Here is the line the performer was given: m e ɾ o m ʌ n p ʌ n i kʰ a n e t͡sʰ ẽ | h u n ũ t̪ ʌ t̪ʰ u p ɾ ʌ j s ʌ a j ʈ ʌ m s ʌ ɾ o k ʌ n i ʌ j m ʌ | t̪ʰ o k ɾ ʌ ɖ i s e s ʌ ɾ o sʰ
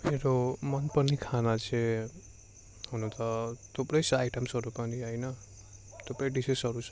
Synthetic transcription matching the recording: m e ɾ o m ʌ n p ʌ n i kʰ a n a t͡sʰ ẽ | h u n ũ t̪ ʌ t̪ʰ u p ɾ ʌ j s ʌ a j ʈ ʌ m s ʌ ɾ u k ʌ n i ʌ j n ʌ | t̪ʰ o p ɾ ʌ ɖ i s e s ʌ ɾ u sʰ